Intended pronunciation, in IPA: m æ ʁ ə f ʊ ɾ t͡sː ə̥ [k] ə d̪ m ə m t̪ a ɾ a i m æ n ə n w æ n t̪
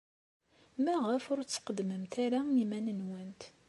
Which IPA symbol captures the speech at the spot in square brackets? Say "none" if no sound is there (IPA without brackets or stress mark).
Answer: q